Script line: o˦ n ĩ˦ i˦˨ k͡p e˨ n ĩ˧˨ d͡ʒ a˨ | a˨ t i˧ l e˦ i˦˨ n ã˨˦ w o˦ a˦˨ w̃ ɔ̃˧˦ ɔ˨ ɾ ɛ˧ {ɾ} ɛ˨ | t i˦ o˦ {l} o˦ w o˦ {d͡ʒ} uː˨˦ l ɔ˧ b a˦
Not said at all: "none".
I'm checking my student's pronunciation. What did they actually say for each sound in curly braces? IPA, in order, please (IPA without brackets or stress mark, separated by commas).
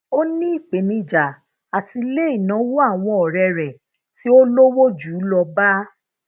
ɾ, l, d͡ʒ